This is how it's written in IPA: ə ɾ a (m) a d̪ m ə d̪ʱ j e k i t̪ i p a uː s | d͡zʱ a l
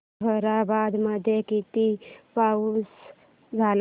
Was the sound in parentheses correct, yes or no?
no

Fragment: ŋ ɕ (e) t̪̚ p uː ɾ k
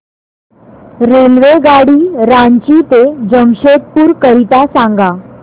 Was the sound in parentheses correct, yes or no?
yes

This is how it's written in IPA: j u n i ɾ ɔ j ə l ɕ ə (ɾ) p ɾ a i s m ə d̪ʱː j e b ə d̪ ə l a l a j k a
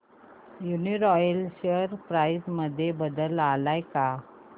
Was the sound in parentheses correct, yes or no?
yes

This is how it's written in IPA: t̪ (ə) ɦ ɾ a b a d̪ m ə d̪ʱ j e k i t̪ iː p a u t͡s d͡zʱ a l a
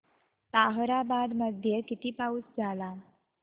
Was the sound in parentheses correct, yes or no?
no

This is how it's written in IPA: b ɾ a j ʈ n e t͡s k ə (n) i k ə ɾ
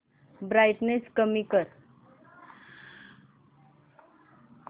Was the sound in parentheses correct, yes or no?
no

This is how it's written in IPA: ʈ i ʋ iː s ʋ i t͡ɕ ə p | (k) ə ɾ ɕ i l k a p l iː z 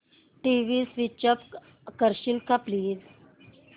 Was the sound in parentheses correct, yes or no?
yes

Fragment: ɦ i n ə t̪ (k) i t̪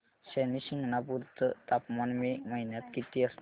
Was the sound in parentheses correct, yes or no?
yes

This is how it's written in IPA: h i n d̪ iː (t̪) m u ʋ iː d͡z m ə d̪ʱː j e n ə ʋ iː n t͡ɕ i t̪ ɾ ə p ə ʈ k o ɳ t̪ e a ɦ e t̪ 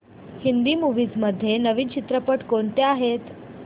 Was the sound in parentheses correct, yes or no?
no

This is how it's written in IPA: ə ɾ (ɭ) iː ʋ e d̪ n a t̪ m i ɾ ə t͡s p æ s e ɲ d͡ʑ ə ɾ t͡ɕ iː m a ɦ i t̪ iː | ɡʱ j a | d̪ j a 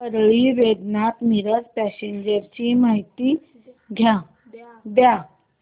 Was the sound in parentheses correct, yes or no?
yes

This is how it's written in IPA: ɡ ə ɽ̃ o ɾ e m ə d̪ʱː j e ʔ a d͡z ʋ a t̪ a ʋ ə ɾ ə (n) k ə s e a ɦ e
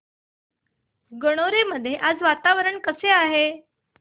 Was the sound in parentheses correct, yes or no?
no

